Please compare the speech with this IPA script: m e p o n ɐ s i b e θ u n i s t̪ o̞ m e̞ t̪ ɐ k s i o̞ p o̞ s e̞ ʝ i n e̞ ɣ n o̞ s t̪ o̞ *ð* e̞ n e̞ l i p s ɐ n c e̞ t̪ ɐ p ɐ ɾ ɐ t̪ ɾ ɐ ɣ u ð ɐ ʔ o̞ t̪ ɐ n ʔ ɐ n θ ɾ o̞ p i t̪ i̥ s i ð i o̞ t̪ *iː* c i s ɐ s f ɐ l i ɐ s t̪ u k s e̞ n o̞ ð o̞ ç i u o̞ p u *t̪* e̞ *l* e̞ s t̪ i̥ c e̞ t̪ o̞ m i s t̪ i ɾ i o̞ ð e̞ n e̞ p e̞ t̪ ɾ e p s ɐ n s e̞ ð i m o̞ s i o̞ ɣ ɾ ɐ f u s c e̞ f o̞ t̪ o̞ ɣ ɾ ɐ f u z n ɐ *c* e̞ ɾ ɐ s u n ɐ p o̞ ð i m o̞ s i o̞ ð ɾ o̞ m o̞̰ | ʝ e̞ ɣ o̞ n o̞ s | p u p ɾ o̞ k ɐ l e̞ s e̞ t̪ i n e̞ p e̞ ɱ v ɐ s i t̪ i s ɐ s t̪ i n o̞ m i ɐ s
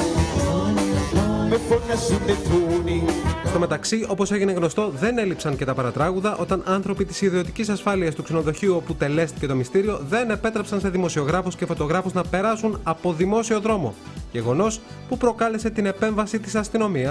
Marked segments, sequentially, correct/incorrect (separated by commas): correct, incorrect, correct, correct, incorrect